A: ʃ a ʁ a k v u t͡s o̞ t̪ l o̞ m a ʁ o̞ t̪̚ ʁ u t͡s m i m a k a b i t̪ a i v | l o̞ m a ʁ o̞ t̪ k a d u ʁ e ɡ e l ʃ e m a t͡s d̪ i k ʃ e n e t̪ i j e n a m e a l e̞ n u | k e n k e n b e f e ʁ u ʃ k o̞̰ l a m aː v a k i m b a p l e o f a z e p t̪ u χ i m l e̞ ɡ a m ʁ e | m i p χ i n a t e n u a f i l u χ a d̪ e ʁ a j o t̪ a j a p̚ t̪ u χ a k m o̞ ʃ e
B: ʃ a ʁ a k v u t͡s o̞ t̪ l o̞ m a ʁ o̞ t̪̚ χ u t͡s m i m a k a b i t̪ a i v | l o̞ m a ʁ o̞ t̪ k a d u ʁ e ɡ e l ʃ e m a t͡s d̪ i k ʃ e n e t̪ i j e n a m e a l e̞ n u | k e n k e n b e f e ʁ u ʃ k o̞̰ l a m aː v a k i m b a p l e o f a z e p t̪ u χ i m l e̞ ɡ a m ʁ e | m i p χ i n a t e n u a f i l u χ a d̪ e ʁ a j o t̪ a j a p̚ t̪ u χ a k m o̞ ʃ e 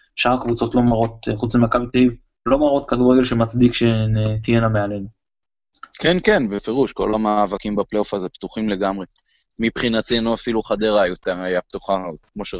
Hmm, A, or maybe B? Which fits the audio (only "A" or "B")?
B